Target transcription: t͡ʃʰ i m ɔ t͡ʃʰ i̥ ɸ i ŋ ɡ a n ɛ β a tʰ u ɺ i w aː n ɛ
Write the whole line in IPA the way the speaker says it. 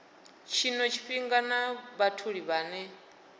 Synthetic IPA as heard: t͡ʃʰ i n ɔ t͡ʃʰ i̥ ɸ i ŋ ɡ a n a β a tʰ u ɺ i β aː n ɛ